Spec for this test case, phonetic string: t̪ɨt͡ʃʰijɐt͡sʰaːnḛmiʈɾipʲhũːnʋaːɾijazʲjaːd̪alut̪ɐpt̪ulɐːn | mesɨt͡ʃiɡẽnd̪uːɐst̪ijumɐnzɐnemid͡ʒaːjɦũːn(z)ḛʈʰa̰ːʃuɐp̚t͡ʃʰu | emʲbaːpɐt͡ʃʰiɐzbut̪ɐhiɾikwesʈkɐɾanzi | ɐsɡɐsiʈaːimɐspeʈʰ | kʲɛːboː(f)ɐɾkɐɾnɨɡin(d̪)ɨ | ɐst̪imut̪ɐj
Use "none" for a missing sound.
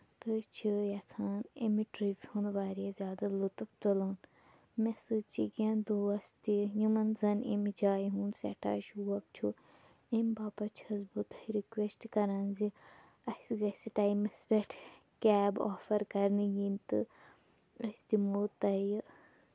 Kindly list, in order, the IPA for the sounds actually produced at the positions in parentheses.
s, f, t̪

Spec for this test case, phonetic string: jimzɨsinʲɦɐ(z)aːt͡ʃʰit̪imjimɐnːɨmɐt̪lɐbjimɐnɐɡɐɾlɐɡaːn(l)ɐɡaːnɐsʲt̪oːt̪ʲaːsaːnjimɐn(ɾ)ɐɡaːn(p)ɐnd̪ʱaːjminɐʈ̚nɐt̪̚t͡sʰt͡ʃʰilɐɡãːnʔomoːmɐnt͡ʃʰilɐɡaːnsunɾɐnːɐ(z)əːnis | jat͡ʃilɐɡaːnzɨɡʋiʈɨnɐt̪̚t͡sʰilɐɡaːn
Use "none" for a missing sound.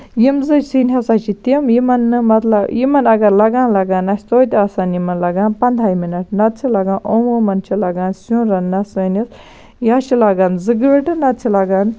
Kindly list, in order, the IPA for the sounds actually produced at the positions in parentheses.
s, l, l, p, s

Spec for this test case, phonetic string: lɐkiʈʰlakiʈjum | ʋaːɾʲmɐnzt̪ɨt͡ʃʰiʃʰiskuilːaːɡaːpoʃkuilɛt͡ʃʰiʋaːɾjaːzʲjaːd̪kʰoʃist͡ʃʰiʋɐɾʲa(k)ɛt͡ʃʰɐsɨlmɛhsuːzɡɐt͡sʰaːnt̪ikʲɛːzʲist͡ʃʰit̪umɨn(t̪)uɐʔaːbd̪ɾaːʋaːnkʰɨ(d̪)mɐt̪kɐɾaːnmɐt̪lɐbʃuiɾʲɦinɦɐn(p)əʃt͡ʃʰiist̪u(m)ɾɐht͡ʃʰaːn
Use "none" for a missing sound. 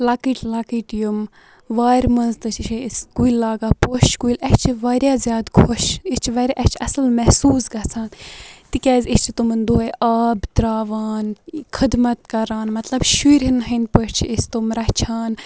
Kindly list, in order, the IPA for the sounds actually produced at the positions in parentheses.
ʔ, d̪, d̪, p, m

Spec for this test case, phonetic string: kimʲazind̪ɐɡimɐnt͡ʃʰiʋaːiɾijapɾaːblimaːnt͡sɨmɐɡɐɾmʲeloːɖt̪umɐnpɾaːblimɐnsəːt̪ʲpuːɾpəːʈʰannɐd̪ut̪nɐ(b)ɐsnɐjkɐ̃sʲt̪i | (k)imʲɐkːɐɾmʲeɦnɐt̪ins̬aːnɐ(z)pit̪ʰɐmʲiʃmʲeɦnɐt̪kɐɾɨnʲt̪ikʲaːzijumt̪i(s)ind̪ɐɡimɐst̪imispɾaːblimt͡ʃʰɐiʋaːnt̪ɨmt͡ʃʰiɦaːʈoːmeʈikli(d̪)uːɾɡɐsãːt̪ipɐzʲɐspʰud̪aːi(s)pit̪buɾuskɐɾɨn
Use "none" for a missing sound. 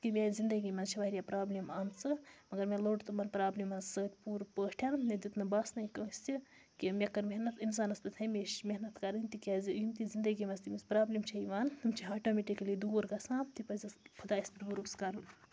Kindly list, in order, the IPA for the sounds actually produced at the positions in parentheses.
b, k, s, z, d̪, s

